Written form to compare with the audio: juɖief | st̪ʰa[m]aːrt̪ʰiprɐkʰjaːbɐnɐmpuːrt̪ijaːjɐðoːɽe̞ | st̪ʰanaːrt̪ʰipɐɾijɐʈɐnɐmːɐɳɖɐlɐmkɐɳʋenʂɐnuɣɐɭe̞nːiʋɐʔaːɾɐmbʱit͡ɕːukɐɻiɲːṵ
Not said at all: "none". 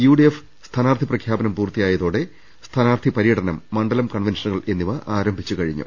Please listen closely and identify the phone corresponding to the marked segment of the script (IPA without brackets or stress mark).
n